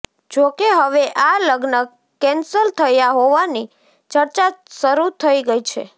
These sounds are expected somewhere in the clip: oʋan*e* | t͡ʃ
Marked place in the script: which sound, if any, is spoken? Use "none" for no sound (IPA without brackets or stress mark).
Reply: i